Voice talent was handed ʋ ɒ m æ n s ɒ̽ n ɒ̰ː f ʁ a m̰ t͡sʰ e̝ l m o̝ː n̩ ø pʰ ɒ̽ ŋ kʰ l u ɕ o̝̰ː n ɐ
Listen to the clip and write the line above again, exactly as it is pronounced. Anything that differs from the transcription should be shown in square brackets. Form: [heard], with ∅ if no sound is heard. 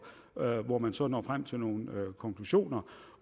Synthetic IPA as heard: ʋ ɒ m æ n s ɒ̽ n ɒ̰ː f ʁ a m̰ t͡sʰ e̝ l [n] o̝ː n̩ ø [kʰ] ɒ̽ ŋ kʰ l u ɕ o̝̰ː n ɐ

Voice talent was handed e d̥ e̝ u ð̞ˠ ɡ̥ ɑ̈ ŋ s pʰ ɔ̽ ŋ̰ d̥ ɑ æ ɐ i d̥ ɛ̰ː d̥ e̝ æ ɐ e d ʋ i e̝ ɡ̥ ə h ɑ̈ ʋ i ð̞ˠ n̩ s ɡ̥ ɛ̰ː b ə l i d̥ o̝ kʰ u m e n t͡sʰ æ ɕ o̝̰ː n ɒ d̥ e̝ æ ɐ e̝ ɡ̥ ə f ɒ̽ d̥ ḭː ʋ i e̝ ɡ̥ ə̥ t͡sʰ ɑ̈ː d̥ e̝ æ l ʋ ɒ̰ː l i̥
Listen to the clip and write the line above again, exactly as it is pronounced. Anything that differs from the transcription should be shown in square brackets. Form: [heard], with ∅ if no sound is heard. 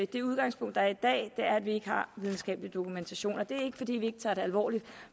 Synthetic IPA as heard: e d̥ e̝ u ð̞ˠ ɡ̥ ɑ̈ ŋ s pʰ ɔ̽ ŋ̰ d̥ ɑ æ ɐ i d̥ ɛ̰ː d̥ e̝ æ ɐ [æ] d ʋ i e̝ ɡ̥ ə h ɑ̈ ʋ i ð̞ˠ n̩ s ɡ̥ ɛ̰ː b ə l i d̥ o̝ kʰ u m e n t͡sʰ æ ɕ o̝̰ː n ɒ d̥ e̝ æ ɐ e̝ ɡ̥ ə f ɒ̽ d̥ ḭː ʋ i e̝ ɡ̥ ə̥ t͡sʰ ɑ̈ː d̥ e̝ æ l ʋ ɒ̰ː l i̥

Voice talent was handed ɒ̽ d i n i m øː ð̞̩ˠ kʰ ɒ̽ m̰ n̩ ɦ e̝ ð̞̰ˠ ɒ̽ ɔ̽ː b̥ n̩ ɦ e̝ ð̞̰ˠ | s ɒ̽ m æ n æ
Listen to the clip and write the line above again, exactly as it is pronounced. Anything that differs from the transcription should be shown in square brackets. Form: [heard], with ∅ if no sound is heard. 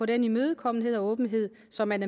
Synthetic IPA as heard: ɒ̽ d [e] n i m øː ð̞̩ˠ kʰ ɒ̽ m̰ n̩ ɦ e̝ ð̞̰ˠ ɒ̽ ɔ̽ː b̥ n̩ ɦ e̝ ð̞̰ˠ | s ɒ̽ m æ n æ

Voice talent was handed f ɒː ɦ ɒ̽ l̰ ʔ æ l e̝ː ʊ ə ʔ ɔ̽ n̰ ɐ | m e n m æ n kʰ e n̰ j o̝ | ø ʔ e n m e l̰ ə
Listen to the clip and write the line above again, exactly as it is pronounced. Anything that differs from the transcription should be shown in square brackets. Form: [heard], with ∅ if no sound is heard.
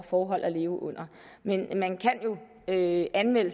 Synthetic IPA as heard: f ɒː ɦ ɒ̽ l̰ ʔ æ l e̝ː ʊ ə ʔ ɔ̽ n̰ ɐ | m e n m æ n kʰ [æ] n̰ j o̝ | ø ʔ [æ] n m e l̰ ə

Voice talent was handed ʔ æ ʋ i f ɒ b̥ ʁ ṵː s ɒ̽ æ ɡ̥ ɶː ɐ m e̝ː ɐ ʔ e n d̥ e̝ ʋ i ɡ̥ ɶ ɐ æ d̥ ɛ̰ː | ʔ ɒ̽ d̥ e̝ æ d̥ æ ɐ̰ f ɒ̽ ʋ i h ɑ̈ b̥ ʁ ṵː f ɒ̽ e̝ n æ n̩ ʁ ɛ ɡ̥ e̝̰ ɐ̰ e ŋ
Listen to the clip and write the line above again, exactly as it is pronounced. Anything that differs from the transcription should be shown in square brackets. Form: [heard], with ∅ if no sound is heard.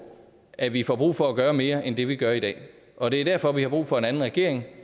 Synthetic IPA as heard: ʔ æ ʋ i f ɒ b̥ ʁ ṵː [f] ɒ̽ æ ɡ̥ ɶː ɐ m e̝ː ɐ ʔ e n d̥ e̝ ʋ i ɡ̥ ɶ ɐ [i] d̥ ɛ̰ː | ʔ ɒ̽ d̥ e̝ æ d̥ æ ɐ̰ f ɒ̽ ʋ i h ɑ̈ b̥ ʁ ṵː f ɒ̽ e̝ n æ n̩ ʁ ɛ ɡ̥ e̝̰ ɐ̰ e ŋ

